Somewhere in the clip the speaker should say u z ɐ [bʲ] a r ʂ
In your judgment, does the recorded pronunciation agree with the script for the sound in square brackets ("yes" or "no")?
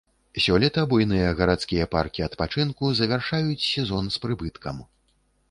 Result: no